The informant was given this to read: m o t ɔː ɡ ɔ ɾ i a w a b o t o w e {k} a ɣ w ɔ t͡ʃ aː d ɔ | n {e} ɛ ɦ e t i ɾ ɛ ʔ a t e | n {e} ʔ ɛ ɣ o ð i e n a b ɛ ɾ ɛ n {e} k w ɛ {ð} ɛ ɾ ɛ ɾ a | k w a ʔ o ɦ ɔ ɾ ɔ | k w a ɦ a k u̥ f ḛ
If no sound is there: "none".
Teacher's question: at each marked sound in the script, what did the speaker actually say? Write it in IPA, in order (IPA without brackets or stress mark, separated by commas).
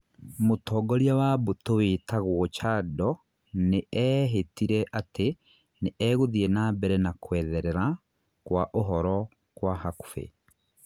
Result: t, e, e, a, ð